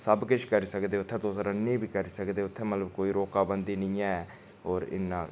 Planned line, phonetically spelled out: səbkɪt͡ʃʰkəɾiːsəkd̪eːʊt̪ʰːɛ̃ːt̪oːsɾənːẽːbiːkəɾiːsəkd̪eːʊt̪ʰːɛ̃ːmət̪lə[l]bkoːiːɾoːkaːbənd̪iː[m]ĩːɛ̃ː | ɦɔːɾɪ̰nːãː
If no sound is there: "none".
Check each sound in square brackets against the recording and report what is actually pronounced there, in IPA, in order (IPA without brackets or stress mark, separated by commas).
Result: none, n